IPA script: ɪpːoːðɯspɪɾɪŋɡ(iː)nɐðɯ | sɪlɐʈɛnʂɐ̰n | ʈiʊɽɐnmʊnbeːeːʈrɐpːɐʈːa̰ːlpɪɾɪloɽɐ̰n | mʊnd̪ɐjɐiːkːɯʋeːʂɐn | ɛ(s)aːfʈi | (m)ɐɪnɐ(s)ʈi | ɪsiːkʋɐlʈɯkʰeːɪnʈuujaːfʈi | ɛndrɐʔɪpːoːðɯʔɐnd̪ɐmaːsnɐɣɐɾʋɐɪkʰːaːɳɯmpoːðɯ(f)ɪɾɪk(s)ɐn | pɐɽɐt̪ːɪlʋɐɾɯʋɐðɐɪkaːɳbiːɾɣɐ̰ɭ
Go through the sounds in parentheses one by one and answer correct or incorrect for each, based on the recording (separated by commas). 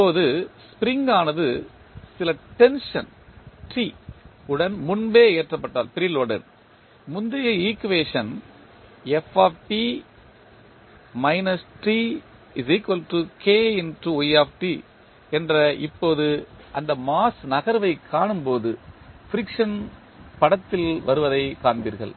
incorrect, incorrect, correct, correct, correct, incorrect